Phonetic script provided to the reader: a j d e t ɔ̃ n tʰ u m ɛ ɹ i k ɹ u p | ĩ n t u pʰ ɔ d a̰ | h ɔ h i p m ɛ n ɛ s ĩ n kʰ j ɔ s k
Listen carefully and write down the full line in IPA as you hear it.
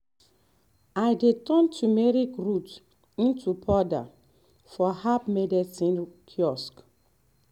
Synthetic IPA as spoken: a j d e t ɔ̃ n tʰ u m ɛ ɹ i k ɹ u t | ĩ n t u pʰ ɔ d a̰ | f ɔ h a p m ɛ d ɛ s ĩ n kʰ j ɔ s k